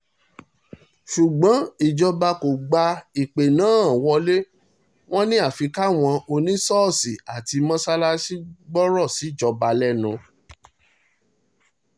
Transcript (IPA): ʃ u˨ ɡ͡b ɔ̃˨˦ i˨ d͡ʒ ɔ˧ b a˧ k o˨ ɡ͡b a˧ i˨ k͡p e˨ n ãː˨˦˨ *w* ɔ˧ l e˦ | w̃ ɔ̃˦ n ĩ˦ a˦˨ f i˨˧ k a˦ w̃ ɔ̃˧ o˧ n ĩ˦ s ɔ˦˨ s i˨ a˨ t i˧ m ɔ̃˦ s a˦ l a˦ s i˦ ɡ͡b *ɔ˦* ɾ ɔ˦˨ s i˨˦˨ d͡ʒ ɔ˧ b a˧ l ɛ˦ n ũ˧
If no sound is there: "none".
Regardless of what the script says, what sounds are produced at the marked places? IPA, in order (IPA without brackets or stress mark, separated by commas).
w, ɔ˦